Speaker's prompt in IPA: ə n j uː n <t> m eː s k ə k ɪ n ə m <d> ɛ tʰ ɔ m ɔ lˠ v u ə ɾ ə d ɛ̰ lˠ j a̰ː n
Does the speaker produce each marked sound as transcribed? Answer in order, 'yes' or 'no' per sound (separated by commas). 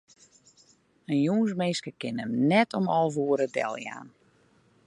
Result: no, no